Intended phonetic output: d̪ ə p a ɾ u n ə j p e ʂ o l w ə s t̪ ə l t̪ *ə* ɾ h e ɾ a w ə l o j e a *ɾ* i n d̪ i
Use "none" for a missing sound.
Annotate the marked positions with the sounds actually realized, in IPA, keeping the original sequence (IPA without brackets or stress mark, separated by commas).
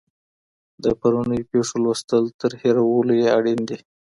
ə, ɽ